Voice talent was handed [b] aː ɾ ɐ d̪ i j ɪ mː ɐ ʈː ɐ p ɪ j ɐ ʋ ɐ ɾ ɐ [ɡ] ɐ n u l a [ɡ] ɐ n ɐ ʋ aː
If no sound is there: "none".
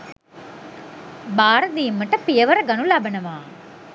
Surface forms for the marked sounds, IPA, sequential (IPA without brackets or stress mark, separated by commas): b, ɡ, b